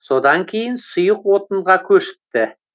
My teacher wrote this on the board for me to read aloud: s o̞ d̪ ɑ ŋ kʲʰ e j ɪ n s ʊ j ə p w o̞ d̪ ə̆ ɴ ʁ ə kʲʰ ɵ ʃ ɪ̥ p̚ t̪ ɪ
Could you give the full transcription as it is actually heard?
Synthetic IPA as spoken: s o̞ d̪ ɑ ŋ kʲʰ e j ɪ n s ʊ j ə q w o̞ t̪ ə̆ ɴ ʁ ɑ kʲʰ ɵ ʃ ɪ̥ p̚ t̪ ɪ